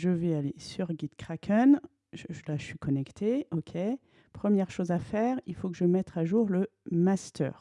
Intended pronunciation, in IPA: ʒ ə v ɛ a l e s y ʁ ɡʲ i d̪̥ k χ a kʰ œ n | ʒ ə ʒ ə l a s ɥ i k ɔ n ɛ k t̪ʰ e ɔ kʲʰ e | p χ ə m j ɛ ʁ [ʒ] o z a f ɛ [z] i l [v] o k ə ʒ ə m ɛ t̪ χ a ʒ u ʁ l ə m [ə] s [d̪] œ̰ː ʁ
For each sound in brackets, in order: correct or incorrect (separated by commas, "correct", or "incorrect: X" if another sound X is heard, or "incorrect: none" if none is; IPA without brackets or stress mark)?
incorrect: ʃ, incorrect: ʁ, incorrect: f, incorrect: a, incorrect: t̪